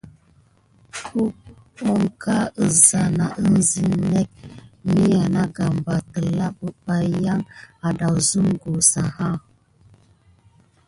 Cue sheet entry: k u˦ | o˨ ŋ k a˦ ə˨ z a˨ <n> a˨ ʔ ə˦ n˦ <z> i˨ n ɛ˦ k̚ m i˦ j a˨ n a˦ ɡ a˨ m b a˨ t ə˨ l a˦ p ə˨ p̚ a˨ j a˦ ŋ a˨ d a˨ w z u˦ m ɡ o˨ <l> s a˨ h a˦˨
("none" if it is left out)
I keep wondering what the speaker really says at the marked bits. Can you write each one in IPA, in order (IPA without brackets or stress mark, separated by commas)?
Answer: n, z, none